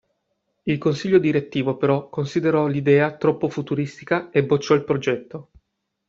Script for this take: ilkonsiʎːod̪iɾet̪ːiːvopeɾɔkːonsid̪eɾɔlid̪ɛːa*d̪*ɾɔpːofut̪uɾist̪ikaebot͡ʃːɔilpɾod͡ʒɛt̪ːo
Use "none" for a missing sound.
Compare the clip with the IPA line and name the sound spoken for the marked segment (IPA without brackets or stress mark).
t̪